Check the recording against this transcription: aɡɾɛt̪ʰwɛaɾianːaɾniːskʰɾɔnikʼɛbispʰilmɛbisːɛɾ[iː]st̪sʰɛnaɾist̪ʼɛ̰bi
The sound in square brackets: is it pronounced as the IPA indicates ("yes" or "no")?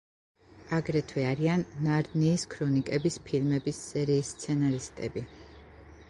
yes